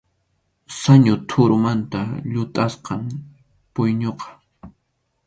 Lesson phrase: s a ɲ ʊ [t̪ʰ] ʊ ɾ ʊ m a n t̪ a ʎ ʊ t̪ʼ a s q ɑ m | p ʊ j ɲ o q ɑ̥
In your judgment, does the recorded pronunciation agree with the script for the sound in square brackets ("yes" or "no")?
yes